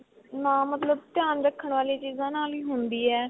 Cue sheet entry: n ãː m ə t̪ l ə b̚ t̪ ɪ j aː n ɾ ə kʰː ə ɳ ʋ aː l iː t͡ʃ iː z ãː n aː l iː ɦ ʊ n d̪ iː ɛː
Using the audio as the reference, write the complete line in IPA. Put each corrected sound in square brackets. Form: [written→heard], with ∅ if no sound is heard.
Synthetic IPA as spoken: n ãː m ə t̪ l ə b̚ t̪ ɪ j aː n ɾ ə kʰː ə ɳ ʋ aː l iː t͡ʃ iː z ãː n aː l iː ɦ ʊ n d̪ iː ɛː